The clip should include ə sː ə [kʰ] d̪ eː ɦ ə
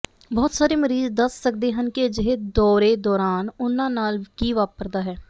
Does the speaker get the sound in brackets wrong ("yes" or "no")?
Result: yes